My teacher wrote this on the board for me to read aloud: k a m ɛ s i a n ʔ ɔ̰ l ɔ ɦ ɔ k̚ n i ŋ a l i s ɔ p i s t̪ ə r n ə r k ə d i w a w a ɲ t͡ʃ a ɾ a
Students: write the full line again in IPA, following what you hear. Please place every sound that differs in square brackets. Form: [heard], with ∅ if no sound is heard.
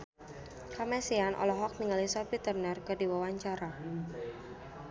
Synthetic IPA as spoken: k a m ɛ s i a n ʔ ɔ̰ l ɔ ɦ ɔ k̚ n i ŋ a l i s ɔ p i [∅] t̪ ə r n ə r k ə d i w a w a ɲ t͡ʃ a ɾ a